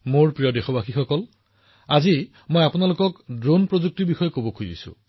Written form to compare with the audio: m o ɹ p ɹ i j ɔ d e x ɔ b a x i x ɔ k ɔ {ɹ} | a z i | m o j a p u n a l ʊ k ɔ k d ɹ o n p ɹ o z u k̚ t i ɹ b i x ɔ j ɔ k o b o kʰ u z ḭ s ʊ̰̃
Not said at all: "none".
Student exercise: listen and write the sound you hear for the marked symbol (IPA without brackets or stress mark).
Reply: l